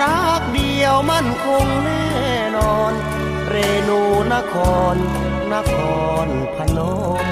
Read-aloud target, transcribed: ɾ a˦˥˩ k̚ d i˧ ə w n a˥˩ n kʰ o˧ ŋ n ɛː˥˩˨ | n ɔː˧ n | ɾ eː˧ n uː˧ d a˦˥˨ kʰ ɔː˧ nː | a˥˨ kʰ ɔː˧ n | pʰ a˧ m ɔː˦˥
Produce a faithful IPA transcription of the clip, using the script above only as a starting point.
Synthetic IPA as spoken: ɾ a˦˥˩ k̚ d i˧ ə w m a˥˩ n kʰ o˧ ŋ n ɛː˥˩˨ | n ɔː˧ n | ɾ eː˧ n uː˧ n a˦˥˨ kʰ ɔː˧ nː | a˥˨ kʰ ɔː˧ n | pʰ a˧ n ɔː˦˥